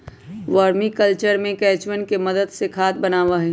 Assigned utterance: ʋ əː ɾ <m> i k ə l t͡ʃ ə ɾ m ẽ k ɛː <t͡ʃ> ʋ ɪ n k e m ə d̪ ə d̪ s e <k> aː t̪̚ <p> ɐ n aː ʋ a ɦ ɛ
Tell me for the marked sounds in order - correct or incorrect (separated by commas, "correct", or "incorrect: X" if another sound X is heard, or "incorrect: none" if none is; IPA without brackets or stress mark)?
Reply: correct, correct, incorrect: kʰ, incorrect: b